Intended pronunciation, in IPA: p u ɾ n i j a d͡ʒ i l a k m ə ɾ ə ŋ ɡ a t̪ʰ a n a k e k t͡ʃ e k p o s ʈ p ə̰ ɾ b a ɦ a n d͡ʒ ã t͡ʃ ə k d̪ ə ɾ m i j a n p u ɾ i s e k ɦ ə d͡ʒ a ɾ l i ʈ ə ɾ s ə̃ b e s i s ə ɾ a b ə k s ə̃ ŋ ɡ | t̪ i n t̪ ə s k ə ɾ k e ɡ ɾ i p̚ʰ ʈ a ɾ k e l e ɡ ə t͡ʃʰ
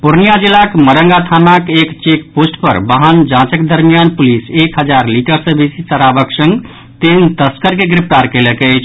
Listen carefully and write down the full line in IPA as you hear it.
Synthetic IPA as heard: p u ɾ n i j a d͡ʒ i l a k m ə ɾ ə ŋ ɡ a t̪ʰ a n a k e k t͡ʃ e k p o s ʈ p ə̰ ɾ b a ɦ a n d͡ʒ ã t͡ʃ ə k d̪ ə ɾ m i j a n p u l i s e k ɦ ə d͡ʒ a ɾ l i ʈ ə ɾ s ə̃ b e s i s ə ɾ a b ə k s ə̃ ŋ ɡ | t̪ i n t̪ ə s k ə ɾ k e ɡ ɾ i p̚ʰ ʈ a ɾ k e l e k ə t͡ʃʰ